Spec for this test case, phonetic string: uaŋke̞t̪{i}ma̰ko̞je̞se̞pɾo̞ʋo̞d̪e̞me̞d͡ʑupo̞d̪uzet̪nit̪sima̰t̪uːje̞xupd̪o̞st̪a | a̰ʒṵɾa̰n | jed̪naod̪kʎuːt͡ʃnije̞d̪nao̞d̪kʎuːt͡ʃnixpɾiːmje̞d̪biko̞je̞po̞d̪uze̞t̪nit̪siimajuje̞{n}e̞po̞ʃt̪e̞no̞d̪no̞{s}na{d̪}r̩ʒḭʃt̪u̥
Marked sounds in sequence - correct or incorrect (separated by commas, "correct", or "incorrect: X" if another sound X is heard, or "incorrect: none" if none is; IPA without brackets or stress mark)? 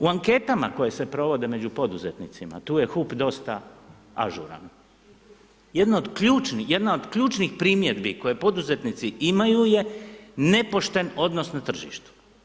incorrect: a, correct, correct, incorrect: t̪